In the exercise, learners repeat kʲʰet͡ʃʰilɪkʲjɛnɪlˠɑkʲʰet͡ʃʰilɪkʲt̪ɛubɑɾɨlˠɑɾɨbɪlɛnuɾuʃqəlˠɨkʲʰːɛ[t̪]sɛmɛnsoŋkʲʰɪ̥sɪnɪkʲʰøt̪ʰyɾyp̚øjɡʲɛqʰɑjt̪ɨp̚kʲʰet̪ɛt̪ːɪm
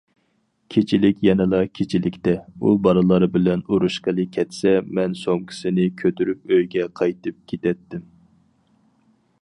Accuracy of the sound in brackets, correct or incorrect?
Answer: correct